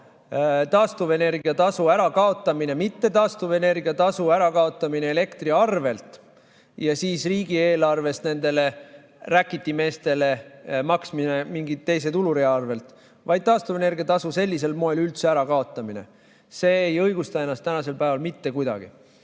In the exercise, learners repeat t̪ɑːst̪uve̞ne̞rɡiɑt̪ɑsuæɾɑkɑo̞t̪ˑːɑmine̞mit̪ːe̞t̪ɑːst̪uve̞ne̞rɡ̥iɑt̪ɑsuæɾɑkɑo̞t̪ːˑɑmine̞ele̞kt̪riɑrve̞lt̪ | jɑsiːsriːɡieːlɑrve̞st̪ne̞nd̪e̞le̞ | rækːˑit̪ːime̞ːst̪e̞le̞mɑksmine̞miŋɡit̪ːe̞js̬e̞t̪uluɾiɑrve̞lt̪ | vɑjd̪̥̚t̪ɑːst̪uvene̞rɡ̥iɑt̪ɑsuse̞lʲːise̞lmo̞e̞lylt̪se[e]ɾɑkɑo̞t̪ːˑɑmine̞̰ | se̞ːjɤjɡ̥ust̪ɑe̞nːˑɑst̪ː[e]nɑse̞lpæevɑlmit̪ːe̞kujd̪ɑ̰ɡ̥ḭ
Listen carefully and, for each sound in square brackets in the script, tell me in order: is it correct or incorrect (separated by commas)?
incorrect, incorrect